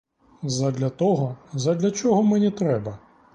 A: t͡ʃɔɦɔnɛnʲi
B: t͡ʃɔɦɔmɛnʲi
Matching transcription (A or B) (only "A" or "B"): B